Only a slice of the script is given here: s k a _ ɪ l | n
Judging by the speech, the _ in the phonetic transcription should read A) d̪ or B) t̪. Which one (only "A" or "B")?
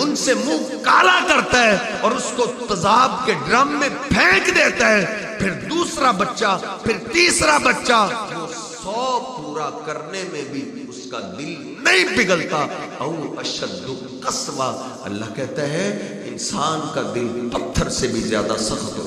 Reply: A